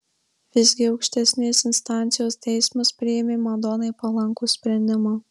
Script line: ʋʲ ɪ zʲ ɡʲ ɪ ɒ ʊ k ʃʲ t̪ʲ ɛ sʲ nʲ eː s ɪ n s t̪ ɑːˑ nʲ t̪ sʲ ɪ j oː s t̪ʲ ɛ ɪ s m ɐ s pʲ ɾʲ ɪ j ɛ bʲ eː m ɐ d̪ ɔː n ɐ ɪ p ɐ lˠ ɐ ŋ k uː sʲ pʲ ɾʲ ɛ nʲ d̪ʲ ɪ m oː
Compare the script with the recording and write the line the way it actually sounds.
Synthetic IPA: ʋʲ ɪ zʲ ɡʲ ɪ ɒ ʊ k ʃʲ t̪ʲ ɛ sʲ nʲ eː s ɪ n s t̪ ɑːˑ nʲ t̪ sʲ ɪ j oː s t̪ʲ ɛ ɪ s m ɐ s pʲ ɾʲ ɪ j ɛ mʲ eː m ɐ d̪ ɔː n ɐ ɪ p ɐ lˠ ɐ ŋ k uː sʲ pʲ ɾʲ ɛ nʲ d̪ʲ ɪ m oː